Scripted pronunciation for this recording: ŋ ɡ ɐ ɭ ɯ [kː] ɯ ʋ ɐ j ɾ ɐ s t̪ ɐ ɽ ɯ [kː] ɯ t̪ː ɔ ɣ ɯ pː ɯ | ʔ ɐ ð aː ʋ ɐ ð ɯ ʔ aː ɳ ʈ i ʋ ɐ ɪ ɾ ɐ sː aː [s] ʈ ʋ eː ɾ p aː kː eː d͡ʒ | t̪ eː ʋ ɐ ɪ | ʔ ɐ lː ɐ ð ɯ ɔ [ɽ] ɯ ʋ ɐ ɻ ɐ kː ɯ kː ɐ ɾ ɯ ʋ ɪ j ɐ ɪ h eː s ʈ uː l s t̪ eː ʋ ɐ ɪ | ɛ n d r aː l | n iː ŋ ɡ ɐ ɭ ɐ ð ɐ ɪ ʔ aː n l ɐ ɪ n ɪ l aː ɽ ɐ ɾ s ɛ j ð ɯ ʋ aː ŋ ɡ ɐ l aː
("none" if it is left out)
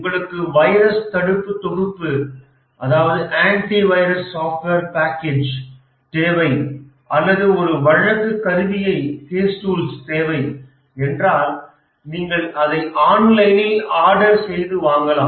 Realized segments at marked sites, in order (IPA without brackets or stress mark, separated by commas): kː, pː, f, ɾ